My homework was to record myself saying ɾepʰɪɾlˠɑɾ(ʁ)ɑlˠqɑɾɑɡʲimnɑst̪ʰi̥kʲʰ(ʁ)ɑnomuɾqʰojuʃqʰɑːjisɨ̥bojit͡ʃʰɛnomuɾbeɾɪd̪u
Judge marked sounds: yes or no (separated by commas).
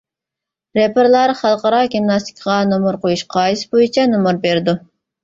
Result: no, yes